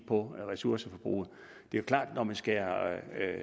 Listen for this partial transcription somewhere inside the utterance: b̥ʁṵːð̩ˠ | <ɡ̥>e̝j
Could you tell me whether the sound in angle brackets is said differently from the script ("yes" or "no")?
yes